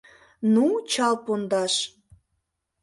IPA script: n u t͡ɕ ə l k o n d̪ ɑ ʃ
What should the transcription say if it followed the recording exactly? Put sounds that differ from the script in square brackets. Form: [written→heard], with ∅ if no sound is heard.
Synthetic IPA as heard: n u t͡ɕ [ə→ɑ] l [k→p] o n d̪ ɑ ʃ